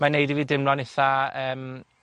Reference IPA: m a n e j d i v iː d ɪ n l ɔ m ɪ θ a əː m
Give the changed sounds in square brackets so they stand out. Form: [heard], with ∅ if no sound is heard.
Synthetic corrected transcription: m a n e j d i v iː d ɪ [m] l ɔ [n] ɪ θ a əː m